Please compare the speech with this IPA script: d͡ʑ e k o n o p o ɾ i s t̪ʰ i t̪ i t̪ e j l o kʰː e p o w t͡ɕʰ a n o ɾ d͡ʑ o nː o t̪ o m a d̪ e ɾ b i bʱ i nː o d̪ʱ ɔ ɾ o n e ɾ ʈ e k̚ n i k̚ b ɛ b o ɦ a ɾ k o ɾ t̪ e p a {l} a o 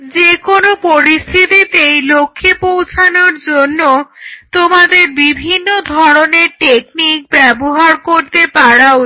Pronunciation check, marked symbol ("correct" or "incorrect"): incorrect